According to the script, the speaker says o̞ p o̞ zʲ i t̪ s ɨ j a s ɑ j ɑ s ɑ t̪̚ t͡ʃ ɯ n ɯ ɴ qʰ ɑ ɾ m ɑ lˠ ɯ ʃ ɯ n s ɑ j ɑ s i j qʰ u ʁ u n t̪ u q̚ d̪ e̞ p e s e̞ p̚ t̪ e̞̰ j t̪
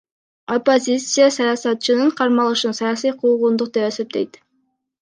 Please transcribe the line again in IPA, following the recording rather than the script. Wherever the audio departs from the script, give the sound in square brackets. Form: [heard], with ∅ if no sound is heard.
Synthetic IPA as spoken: o̞ p o̞ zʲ i t̪ s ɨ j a s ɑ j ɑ s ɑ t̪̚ t͡ʃ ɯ n ɯ ɴ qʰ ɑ ɾ m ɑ lˠ ɯ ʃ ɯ n s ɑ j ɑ s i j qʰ u ʁ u n [d̪] u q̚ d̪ e̞ p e s e̞ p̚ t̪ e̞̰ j t̪